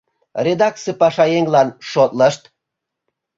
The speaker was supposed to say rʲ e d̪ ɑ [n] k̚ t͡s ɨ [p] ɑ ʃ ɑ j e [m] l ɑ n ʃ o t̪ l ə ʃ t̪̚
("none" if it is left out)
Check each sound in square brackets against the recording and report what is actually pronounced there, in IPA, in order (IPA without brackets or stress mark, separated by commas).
none, p, ŋ